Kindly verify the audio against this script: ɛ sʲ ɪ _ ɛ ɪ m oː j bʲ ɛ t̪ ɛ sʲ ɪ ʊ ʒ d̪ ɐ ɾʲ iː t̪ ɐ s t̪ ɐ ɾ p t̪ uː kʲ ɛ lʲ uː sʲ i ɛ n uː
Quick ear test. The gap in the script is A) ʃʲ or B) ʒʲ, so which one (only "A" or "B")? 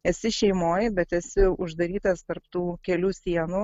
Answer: A